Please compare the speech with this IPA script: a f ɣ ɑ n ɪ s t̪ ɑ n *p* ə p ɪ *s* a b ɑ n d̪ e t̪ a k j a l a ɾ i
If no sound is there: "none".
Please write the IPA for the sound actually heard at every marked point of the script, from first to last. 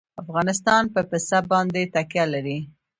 p, s

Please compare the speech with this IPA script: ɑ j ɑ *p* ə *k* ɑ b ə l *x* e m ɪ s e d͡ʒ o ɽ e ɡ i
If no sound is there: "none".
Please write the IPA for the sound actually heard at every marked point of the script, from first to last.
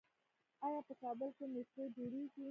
p, k, k

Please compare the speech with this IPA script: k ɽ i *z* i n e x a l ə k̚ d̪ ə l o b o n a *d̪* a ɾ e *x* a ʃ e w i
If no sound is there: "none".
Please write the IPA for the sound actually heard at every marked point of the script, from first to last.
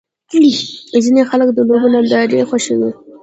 z, d̪, x

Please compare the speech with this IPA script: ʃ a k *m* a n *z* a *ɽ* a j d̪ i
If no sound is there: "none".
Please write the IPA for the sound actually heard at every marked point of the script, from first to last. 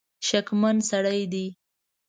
m, s, ɽ

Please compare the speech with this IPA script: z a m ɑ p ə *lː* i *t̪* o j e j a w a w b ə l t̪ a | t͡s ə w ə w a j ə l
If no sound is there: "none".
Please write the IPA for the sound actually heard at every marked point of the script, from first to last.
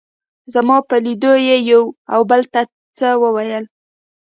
l, d̪

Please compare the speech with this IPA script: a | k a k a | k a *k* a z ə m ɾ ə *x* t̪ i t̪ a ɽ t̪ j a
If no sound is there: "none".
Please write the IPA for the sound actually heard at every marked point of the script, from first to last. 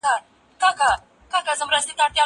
k, s

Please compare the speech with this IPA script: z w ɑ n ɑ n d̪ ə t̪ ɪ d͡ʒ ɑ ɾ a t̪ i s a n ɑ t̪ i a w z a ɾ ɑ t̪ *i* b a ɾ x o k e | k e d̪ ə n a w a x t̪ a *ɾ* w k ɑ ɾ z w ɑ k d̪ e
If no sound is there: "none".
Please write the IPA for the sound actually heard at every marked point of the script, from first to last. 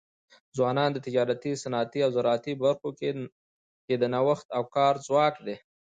i, none

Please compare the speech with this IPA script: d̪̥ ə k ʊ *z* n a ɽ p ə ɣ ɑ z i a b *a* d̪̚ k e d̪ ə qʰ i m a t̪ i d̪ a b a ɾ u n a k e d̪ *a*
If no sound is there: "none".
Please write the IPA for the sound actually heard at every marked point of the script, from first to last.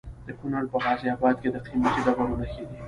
none, ɑ, i

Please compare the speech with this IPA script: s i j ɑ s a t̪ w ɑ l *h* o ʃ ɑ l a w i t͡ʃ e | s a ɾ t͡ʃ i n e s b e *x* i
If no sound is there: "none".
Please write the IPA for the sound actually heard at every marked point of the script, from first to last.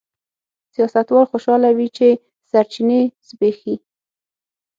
x, x

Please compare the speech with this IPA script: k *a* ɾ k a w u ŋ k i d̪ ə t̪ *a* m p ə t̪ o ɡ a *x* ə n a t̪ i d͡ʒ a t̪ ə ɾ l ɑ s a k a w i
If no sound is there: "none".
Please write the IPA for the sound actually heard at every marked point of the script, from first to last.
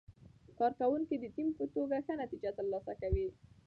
ɑ, i, x

